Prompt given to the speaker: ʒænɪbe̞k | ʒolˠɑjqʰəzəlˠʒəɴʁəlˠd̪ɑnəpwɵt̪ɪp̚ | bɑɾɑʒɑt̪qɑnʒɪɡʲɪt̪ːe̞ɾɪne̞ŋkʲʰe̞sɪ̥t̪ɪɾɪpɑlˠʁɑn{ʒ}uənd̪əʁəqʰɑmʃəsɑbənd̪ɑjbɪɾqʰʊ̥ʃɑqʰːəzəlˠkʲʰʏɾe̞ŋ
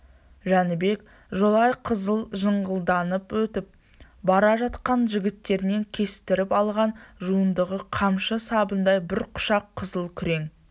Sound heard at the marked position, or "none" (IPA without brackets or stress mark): ʒ